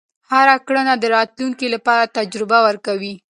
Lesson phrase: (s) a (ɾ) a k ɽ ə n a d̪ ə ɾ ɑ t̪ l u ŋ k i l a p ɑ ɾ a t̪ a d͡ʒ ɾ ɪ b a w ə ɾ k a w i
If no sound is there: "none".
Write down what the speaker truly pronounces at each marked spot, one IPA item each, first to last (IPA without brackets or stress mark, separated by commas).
h, ɾ